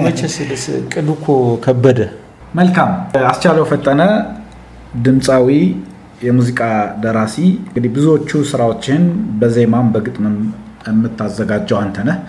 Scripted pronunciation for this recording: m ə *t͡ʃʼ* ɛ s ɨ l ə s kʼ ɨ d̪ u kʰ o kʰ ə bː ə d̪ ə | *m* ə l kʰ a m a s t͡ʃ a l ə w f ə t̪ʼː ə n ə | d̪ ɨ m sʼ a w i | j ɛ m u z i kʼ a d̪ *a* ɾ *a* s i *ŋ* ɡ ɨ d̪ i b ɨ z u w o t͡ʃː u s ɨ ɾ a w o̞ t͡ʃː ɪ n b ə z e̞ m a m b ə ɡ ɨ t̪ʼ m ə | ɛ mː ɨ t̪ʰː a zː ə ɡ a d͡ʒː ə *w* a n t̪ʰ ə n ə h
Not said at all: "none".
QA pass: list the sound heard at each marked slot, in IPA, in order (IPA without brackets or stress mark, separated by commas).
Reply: t͡ʃ, m, ə, a, ŋ, w